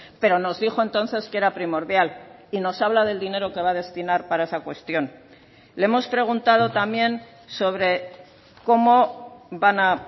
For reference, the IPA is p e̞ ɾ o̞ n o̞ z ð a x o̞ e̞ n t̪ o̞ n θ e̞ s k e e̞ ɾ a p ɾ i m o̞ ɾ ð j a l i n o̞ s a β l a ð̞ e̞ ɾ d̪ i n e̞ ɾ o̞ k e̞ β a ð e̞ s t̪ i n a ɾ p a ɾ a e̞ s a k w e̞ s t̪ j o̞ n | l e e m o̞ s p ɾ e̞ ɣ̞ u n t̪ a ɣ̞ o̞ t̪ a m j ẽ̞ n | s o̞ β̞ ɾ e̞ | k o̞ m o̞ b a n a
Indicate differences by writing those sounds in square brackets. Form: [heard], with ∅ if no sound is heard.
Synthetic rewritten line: p e̞ ɾ o̞ n o̞ z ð [i] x o̞ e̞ n t̪ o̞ n θ e̞ s k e e̞ ɾ a p ɾ i m o̞ ɾ ð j a l i n o̞ s a β l a ð̞ e̞ [l] d̪ i n e̞ ɾ o̞ k e̞ β a ð e̞ s t̪ i n a ɾ p a ɾ a e̞ s a k w e̞ s t̪ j o̞ n | l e e m o̞ s p ɾ e̞ ɣ̞ u n t̪ a [ð̞] o̞ t̪ a m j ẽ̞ n | s o̞ β̞ ɾ e̞ | k o̞ m o̞ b a n a

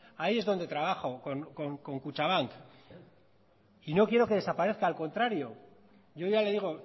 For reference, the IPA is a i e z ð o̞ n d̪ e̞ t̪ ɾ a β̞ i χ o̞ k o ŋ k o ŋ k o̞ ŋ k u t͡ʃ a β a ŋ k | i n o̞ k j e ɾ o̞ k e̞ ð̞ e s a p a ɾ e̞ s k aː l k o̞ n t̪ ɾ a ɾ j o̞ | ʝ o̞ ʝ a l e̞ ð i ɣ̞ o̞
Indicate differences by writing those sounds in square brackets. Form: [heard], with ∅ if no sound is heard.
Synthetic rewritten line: a i e z ð o̞ n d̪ e̞ t̪ ɾ a β̞ [a] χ o̞ k o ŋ k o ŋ k o̞ ŋ k u t͡ʃ a β a ŋ k | i n o̞ k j e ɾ o̞ k e̞ ð̞ e s a p a ɾ e̞ [θ] k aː l k o̞ n t̪ ɾ a ɾ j o̞ | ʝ o̞ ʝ a l e̞ ð i ɣ̞ o̞

